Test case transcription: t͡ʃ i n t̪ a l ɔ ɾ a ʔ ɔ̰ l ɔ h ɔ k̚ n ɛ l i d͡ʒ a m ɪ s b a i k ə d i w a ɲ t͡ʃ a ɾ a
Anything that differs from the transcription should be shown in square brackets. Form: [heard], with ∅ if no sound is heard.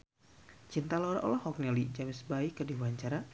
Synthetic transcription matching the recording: t͡ʃ i n t̪ a l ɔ ɾ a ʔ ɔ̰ l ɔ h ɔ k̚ n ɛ l i d͡ʒ a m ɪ s b a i k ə d i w a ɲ t͡ʃ a ɾ a